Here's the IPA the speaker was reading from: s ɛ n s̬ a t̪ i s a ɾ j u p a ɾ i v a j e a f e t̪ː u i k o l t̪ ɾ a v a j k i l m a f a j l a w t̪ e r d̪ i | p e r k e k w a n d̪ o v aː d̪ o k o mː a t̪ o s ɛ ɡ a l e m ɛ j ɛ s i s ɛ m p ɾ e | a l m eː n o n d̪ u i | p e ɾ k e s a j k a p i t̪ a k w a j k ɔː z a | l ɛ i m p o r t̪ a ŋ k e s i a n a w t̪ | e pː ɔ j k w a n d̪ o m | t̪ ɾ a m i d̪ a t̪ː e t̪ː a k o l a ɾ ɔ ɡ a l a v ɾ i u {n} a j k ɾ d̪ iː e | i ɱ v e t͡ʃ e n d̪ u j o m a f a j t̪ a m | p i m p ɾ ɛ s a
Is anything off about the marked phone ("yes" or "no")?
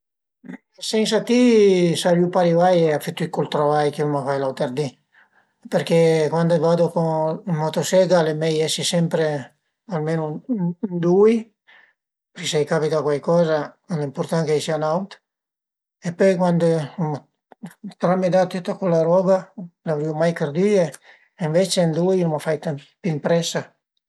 yes